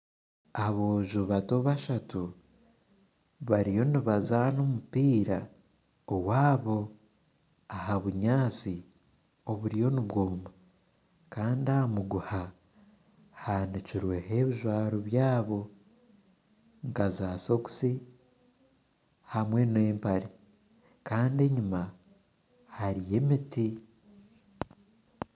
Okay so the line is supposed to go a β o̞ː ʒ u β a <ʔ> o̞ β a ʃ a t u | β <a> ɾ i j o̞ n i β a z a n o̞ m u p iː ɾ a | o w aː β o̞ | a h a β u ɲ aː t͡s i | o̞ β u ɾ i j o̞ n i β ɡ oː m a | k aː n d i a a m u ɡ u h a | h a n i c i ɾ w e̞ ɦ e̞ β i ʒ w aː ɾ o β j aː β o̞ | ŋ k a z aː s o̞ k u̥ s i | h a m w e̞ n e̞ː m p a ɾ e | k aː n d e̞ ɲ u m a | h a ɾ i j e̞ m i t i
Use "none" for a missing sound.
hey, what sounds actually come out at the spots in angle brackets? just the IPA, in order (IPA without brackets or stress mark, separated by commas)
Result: t, a